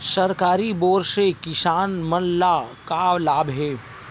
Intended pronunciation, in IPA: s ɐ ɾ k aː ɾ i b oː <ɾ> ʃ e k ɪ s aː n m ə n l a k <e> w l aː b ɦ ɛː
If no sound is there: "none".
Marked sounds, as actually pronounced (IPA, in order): ɾ, a

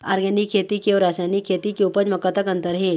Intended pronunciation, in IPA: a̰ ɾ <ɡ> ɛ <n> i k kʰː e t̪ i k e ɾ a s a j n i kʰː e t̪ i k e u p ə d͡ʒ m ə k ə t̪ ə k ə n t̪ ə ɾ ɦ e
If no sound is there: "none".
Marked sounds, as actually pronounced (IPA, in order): ɡ, n

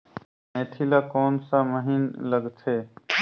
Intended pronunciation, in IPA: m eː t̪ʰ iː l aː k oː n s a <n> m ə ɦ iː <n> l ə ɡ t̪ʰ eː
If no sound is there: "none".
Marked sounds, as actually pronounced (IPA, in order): none, n

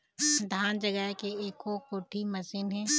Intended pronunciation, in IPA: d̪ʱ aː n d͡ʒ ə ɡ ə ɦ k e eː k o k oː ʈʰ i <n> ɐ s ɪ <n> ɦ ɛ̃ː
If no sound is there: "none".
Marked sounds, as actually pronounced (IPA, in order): m, n

